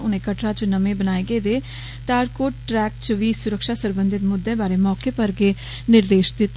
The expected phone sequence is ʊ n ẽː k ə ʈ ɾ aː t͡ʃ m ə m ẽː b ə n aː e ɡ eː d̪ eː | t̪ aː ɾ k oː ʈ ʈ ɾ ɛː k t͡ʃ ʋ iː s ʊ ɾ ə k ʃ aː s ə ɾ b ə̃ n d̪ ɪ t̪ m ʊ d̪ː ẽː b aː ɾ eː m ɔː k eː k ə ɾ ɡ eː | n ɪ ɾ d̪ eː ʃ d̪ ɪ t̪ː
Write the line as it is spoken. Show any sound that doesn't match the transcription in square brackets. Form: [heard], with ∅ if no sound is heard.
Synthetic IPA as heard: ʊ n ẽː k ə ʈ ɾ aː t͡ʃ [n] ə m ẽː b ə n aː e ɡ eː d̪ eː | t̪ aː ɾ k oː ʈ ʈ ɾ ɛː k t͡ʃ ʋ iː s ʊ ɾ ə k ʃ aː s ə ɾ b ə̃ n d̪ ɪ t̪ m ʊ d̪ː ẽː b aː ɾ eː m ɔː k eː [p] ə ɾ ɡ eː | n ɪ ɾ d̪ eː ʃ d̪ ɪ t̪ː